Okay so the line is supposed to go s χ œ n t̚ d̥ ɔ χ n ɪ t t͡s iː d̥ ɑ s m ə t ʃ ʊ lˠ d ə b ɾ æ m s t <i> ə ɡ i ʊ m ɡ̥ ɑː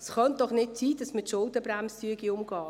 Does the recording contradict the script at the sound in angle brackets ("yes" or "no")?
yes